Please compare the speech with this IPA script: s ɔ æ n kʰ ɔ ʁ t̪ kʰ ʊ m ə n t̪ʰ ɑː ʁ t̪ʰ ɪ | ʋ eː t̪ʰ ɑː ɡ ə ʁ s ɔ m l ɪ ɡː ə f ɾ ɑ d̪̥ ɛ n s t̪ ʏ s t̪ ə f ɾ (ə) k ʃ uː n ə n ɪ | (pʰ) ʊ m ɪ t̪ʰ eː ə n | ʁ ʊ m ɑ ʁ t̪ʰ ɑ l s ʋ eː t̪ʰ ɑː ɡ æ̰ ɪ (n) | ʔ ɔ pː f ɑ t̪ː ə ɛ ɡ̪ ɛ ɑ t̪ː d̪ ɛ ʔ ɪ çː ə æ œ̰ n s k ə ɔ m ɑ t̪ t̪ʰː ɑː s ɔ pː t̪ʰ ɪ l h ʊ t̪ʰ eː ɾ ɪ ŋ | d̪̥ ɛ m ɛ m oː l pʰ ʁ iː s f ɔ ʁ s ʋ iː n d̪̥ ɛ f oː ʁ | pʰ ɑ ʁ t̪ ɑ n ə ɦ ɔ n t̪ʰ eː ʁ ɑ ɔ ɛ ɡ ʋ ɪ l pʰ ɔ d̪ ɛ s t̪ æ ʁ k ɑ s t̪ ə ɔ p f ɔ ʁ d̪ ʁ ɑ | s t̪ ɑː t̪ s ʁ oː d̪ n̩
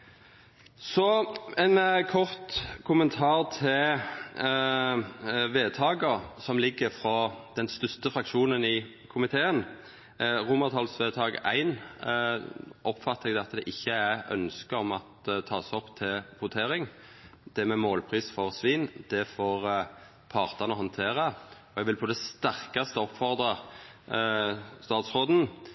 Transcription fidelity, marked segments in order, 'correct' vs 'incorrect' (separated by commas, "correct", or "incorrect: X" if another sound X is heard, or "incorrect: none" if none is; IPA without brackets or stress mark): incorrect: ɑ, incorrect: kʰ, correct